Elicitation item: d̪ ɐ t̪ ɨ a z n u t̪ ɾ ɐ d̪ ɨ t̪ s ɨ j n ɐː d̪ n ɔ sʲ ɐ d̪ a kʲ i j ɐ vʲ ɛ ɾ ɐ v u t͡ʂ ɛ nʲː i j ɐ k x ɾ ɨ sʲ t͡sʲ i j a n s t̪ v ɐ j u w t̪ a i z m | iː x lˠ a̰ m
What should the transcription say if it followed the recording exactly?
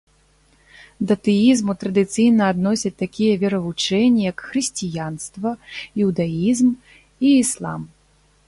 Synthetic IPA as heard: d̪ ɐ t̪ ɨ i z m u t̪ ɾ ɐ d̪ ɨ t̪ s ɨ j n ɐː d̪ n ɔ sʲ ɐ t̪ a kʲ i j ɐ vʲ ɛ ɾ ɐ v u t͡ʂ ɛ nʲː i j ɐ k x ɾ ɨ sʲ t͡sʲ i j a n s t̪ v ɐ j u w d̪ a i z m | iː s lˠ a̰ m